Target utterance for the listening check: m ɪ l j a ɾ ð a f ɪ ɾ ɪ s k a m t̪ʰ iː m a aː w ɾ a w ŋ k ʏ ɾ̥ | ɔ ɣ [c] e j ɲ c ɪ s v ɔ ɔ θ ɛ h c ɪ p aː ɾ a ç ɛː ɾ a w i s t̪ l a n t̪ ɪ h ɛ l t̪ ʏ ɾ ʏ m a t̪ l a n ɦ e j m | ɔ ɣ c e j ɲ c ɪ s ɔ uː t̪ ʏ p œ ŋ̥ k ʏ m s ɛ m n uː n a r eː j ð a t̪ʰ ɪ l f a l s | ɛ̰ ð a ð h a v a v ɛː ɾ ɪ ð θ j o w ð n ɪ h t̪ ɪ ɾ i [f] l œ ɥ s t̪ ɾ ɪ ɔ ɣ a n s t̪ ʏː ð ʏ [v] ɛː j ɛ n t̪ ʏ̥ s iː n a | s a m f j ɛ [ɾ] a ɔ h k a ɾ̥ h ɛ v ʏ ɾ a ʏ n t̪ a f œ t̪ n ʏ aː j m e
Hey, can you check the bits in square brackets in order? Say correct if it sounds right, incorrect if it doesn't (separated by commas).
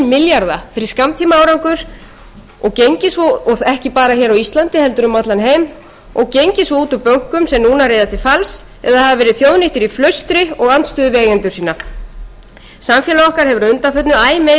correct, correct, correct, incorrect